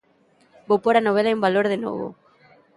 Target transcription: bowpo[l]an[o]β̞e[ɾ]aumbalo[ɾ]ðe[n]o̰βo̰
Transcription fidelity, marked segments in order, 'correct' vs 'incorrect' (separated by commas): incorrect, correct, incorrect, correct, correct